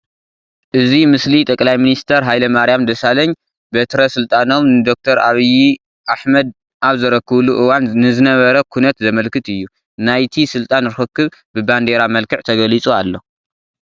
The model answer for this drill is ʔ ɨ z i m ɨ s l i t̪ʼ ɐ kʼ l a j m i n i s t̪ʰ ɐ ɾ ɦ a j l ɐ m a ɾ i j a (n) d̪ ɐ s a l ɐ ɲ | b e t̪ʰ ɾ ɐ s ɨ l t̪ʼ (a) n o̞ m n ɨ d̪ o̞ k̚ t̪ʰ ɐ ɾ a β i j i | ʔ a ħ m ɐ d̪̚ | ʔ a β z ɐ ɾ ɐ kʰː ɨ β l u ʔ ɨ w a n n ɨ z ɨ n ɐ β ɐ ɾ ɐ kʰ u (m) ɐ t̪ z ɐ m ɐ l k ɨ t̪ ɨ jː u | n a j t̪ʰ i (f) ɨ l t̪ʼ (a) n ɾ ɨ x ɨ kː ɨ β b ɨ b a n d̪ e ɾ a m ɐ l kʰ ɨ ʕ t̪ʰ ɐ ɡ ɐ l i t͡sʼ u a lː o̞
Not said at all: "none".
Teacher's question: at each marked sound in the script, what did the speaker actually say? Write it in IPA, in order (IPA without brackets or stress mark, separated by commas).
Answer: m, a, n, s, a